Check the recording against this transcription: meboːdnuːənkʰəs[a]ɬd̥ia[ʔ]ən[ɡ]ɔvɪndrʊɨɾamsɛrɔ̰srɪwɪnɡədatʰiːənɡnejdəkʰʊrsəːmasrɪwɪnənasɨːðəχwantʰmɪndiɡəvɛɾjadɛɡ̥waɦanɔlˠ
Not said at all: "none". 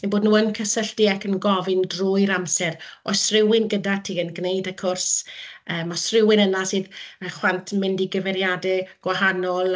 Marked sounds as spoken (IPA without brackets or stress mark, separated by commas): ə, k, ɡ